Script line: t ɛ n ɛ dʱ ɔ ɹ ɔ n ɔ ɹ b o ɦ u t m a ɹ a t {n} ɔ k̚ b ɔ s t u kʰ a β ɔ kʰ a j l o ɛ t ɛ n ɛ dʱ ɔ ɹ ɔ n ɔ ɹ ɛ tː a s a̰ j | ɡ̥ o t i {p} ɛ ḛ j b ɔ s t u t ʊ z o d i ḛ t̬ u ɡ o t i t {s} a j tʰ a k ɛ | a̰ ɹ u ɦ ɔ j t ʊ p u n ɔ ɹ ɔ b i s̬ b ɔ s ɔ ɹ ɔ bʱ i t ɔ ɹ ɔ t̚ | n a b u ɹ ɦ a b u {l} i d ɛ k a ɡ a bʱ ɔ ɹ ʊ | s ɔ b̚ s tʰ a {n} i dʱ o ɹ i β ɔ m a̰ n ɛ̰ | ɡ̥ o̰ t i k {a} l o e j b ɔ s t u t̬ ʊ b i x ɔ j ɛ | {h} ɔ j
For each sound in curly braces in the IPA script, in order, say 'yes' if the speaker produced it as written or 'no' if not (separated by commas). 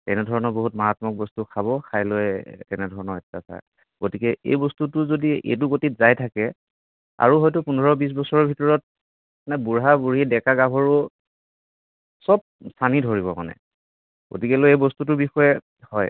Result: no, no, no, no, yes, no, yes